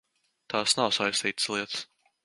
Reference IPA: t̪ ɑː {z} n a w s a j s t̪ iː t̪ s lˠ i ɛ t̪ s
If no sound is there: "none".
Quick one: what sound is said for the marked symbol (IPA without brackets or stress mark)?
s